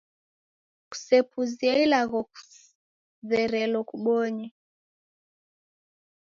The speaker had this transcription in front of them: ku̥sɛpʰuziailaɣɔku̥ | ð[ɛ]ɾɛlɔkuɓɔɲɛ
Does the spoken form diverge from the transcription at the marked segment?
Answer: no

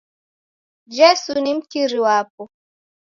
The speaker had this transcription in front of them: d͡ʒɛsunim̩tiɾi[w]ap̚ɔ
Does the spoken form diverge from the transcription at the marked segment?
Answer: no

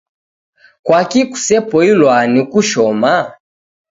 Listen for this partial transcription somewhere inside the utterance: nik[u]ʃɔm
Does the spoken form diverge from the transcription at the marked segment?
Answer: no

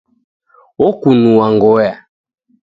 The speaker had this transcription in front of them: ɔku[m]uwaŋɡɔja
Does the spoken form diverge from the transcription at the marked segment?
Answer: yes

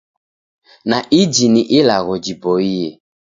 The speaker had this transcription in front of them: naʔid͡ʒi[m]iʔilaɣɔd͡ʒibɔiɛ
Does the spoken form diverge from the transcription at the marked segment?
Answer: yes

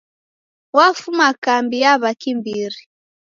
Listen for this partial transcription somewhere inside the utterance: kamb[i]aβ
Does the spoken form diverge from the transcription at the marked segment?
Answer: no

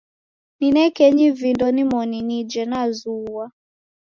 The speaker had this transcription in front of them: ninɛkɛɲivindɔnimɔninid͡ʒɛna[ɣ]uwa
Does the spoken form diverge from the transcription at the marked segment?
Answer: yes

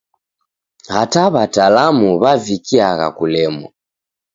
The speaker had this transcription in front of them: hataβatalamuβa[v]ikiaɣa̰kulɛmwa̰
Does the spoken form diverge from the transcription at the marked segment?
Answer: no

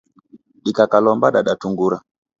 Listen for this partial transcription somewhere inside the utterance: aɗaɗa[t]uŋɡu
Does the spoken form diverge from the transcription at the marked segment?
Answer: no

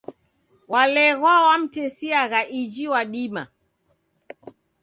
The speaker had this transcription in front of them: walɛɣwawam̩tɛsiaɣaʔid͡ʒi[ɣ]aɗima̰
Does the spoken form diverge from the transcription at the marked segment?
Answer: yes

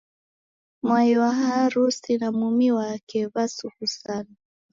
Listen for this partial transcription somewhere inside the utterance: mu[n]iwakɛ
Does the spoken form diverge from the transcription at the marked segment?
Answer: yes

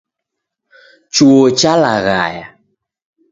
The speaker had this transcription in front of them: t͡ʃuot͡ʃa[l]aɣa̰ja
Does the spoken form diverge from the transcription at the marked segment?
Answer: no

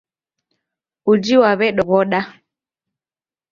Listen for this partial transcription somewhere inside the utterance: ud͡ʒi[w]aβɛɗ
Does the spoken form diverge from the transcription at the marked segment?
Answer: no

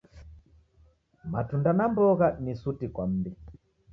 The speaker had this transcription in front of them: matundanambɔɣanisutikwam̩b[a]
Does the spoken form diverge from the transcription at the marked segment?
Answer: yes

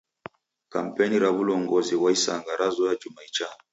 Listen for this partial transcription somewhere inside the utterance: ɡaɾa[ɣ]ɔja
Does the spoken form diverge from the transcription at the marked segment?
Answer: yes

